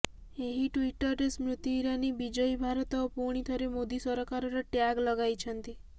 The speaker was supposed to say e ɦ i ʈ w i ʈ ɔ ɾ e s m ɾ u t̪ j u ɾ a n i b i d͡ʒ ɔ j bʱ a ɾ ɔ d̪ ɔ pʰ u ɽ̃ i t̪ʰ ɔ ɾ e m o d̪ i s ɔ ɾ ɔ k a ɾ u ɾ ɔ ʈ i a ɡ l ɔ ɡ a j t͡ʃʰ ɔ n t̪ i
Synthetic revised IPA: e ɦ i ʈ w i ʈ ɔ ɾ e s m ɾ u t̪ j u ɾ a n i b i d͡ʒ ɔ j bʱ a ɾ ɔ t̪ ɔ p u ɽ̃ i t̪ʰ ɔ ɾ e m o d̪ i s ɔ ɾ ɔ k a ɾ ɔ ɾ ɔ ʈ j a ɡ l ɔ ɡ a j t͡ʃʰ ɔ n t̪ i